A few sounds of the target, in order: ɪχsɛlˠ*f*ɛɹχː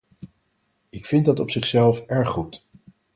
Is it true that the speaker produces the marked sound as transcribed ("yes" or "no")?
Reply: yes